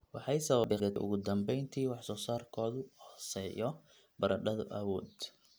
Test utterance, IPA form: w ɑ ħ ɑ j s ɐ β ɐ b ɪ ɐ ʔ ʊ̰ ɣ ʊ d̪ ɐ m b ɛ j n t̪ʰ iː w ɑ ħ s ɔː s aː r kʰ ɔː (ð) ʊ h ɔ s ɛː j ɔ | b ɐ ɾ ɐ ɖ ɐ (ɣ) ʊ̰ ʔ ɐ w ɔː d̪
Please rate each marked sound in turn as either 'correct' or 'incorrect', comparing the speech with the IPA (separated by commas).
correct, incorrect